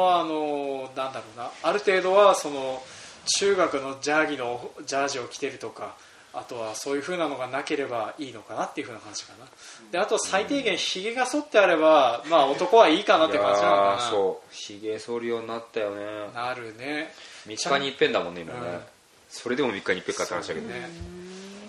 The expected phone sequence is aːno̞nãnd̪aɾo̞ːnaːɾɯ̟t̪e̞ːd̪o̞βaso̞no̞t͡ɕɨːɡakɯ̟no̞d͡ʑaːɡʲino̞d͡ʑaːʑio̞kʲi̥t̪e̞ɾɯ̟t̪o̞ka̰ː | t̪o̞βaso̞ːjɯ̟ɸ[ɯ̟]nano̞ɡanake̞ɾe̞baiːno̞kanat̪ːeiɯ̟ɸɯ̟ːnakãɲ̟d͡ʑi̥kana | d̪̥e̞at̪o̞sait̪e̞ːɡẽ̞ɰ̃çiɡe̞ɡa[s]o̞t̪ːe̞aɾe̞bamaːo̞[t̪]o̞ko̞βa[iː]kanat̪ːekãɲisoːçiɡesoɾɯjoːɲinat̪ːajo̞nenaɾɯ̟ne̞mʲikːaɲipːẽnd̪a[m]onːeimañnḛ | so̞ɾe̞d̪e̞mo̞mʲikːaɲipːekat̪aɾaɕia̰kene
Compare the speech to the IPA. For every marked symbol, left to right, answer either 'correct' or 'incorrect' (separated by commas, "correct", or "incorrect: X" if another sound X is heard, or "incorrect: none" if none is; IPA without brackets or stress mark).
incorrect: ɯ̟ː, correct, correct, correct, correct